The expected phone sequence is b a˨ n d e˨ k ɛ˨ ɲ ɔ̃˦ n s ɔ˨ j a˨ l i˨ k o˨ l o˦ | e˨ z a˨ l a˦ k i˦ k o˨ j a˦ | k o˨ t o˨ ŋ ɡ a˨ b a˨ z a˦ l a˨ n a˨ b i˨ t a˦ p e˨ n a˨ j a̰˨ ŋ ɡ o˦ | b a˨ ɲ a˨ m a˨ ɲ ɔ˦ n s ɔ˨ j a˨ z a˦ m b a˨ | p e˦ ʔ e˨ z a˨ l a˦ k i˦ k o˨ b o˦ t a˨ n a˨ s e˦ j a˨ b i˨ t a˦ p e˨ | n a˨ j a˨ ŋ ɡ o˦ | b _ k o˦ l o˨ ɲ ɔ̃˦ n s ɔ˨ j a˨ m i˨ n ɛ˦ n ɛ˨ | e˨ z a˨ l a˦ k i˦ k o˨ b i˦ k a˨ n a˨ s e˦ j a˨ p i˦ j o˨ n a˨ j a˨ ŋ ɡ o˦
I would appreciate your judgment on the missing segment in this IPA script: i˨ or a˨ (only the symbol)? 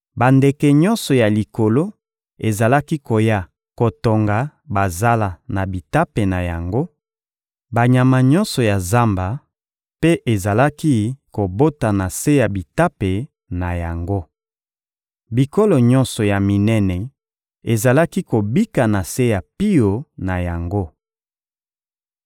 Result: i˨